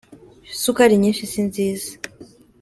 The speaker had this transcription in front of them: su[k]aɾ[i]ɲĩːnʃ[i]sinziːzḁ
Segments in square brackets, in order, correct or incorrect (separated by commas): correct, correct, correct